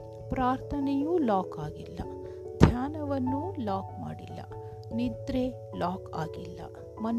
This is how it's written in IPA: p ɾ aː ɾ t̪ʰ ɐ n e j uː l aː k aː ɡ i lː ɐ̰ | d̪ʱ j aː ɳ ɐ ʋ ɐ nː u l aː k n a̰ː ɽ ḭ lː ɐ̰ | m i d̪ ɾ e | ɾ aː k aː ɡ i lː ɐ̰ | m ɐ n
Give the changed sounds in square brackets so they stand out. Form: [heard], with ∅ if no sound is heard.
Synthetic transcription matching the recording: p ɾ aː ɾ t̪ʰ ɐ n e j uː l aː k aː ɡ i lː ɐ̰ | d̪ʱ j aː [n] ɐ ʋ ɐ nː u l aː k [m] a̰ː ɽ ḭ lː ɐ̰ | [n] i d̪ ɾ e | [l] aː k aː ɡ i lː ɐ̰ | m ɐ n